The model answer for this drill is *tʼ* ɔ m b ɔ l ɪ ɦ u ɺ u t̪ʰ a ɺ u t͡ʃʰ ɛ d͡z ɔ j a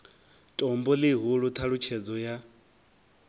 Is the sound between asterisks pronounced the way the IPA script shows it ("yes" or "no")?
yes